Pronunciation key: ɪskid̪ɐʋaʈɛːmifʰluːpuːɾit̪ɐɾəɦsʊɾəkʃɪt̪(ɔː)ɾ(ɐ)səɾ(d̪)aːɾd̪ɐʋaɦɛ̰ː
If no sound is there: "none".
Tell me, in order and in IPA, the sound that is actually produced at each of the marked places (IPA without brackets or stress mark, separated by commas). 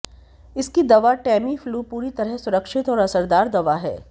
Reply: ɔː, ɐ, d̪